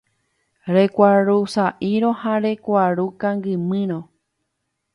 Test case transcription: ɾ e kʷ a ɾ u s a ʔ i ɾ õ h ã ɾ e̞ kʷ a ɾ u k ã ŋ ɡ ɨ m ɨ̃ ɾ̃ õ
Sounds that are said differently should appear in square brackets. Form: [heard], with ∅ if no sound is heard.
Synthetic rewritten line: ɾ e kʷ a ɾ u s a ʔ i ɾ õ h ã ɾ e̞ kʷ a ɾ u k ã ŋ ɡ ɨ m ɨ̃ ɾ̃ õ